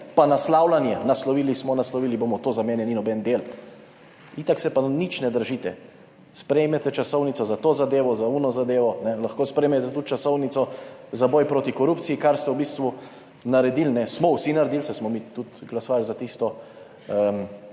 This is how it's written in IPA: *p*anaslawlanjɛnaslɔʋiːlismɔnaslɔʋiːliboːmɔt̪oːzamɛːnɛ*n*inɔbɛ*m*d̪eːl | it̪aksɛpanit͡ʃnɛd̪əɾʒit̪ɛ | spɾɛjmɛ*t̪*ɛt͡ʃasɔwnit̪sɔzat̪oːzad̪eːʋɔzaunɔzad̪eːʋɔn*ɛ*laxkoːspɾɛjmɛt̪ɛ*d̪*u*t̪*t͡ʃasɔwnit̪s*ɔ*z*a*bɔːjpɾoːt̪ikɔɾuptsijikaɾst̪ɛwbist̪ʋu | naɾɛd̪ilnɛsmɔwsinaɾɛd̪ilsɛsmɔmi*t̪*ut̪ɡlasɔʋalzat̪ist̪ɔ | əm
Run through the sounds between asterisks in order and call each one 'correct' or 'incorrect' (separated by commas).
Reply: correct, correct, incorrect, correct, correct, incorrect, correct, correct, correct, correct